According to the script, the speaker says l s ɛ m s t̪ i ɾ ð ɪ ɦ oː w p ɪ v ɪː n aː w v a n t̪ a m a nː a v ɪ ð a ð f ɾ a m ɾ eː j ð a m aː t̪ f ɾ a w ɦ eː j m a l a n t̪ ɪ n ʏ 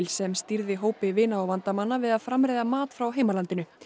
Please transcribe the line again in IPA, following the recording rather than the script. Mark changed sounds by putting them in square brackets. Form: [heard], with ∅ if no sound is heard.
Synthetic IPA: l s ɛ m s t̪ i ɾ ð ɪ ɦ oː w p ɪ v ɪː n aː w v a n t̪ a m a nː a v ɪ ð a ð f ɾ a m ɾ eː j ð a m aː t̪ f ɾ a w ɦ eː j m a l a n t̪ ɪ n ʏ